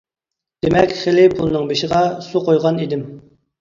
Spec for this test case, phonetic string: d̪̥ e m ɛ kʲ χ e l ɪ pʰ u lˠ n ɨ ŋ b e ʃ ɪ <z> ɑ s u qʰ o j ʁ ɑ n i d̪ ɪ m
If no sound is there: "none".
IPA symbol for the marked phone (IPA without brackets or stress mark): ʁ